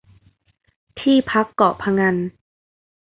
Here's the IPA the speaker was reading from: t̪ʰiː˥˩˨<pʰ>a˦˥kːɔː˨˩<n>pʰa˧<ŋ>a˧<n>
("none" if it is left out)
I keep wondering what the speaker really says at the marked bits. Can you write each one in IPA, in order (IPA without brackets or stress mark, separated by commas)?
pʰ, none, ŋ, n